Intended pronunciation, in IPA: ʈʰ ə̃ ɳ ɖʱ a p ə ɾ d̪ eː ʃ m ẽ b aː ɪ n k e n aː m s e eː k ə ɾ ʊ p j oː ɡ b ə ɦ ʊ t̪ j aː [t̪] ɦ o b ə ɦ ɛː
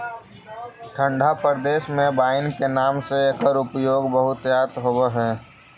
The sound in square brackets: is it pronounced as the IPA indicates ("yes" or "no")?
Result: yes